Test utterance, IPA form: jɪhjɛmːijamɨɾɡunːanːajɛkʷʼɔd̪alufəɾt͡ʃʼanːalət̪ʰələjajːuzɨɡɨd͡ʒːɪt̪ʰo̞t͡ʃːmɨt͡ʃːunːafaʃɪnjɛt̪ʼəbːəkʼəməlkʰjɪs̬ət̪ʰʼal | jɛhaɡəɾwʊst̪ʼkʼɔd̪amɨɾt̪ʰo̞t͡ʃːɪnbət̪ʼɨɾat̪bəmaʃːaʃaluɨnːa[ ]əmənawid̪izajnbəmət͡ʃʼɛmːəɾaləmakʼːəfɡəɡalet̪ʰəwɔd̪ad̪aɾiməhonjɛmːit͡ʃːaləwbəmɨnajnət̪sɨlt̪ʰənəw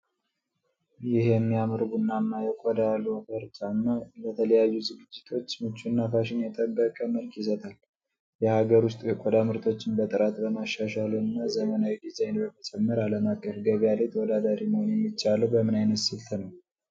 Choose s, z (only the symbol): z